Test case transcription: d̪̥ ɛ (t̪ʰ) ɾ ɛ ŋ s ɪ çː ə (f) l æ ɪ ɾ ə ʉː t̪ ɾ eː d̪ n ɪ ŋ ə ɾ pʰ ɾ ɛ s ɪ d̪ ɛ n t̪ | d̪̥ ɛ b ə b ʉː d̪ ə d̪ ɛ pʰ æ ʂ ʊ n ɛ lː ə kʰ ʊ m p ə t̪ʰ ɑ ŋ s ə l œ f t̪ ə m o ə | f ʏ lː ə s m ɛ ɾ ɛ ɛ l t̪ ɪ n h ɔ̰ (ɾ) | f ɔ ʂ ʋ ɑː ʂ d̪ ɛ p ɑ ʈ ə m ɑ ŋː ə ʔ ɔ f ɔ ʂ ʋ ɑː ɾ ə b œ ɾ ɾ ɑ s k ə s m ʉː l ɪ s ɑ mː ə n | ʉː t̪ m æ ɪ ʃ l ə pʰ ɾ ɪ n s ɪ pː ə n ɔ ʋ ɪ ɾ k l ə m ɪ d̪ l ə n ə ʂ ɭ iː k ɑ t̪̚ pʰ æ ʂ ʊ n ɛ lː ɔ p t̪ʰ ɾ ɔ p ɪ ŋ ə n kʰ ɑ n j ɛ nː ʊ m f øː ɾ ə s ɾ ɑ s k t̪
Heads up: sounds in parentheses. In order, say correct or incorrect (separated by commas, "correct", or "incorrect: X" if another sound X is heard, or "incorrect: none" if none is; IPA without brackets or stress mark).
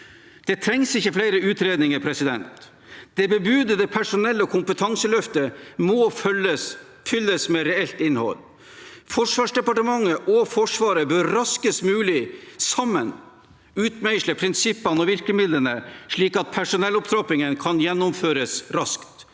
correct, correct, incorrect: l